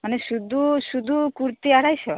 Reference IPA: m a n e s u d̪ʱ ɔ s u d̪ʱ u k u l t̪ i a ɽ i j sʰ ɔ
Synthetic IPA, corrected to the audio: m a n e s u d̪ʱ u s u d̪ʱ u k u ɾ t̪ i a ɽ a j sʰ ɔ